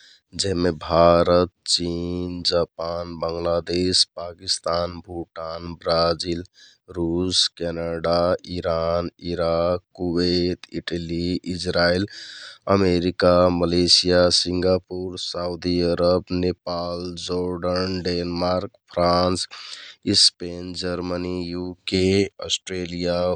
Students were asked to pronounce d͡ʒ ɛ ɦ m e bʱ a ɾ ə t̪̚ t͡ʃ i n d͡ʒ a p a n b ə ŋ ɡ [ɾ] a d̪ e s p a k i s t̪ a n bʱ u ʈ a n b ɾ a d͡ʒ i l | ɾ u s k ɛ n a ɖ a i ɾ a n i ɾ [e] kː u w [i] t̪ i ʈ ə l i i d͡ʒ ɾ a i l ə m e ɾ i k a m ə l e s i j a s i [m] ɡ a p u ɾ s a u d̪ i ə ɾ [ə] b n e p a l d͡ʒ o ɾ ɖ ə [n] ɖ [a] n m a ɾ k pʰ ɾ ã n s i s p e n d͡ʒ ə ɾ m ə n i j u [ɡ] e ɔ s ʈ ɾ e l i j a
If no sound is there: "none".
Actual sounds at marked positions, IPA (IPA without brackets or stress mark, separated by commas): l, a, e, ŋ, ə, n, e, k